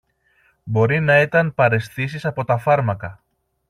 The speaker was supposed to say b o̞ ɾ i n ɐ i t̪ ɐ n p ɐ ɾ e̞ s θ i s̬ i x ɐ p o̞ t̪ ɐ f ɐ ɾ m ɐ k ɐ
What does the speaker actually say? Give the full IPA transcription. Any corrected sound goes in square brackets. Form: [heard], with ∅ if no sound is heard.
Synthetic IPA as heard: b o̞ ɾ i n ɐ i t̪ ɐ n p ɐ ɾ e̞ s θ i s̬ i [s] ɐ p o̞ t̪ ɐ f ɐ ɾ m ɐ k ɐ